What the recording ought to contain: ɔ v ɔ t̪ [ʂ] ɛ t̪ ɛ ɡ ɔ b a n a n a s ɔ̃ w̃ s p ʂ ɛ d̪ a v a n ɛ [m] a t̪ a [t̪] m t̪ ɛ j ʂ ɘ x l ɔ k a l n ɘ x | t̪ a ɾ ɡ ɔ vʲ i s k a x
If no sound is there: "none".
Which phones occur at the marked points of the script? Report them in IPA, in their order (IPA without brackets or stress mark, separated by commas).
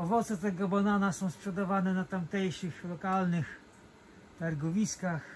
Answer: s, n, none